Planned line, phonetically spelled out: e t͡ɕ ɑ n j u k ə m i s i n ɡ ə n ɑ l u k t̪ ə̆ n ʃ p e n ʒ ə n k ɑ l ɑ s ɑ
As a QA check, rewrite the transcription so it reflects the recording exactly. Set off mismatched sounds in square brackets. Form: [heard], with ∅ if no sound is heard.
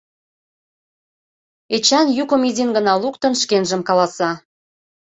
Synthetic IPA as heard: e t͡ɕ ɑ n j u k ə m i [z] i n ɡ ə n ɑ l u k t̪ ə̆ n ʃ [k] e n ʒ ə [m] k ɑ l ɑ s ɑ